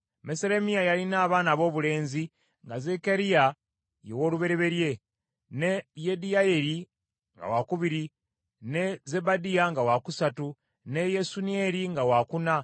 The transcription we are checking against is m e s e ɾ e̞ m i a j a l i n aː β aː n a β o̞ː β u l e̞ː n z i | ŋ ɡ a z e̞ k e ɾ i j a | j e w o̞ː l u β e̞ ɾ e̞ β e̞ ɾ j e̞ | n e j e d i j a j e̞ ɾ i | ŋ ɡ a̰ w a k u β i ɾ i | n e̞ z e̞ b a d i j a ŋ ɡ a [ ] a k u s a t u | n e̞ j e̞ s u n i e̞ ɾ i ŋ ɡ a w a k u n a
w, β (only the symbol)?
w